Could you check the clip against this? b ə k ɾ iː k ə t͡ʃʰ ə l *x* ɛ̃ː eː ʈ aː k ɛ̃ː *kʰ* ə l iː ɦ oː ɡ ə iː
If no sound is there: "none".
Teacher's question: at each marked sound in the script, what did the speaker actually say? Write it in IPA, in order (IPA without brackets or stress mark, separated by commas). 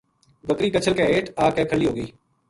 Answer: k, kʰ